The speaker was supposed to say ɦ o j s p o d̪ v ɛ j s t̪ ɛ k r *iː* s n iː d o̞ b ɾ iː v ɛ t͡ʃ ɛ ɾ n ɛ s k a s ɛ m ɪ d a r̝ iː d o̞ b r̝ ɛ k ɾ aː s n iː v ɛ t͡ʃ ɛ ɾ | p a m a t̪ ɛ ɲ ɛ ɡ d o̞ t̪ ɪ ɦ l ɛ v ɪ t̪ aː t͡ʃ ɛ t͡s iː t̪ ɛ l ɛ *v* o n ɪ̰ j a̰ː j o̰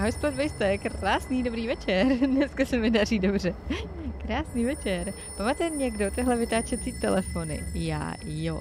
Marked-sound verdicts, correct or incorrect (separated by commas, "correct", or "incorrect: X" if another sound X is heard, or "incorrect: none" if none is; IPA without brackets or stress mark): incorrect: aː, incorrect: f